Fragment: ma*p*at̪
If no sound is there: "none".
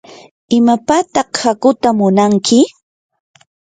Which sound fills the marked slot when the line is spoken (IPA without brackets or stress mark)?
p